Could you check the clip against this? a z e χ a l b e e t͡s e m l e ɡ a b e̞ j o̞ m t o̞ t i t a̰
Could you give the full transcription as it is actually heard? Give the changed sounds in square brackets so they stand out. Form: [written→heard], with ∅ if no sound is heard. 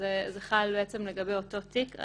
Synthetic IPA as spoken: [a→e] z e χ a l b e e t͡s e m l e ɡ a b e̞ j o̞ [m→∅] t o̞ t i [t→k] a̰